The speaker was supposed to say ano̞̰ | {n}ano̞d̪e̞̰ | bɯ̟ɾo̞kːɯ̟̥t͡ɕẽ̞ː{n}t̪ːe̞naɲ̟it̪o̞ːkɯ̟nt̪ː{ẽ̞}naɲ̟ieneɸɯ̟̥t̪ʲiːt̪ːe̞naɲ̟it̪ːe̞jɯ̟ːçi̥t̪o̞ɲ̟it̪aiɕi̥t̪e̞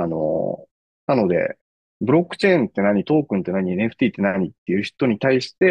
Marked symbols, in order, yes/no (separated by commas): yes, yes, no